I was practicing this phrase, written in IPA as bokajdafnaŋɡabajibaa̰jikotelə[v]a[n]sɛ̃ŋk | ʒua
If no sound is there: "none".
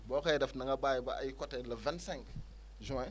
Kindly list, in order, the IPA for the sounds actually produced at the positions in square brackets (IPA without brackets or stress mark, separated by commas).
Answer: v, n